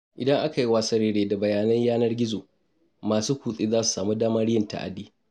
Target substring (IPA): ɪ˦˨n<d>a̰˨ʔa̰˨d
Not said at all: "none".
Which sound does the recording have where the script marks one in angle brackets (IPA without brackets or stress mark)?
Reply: t